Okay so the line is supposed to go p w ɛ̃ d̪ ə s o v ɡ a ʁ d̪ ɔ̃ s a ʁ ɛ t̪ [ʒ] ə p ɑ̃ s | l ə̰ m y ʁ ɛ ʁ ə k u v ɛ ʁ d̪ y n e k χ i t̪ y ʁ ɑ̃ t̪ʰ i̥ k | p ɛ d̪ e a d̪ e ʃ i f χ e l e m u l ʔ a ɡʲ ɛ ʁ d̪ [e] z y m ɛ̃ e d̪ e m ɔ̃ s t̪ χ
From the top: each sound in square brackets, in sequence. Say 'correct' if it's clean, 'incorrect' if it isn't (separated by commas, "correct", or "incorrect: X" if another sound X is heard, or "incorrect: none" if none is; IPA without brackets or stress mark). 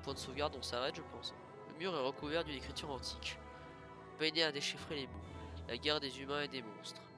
correct, correct